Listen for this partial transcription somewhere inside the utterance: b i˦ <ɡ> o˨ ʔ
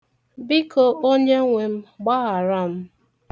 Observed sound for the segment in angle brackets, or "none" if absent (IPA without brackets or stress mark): k